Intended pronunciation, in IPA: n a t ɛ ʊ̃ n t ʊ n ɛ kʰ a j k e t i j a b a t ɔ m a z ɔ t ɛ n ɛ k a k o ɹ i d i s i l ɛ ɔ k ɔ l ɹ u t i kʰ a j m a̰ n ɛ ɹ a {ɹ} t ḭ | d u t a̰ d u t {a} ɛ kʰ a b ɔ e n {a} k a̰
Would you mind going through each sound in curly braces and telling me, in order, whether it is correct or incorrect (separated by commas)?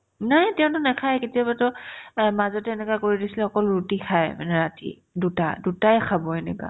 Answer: incorrect, correct, incorrect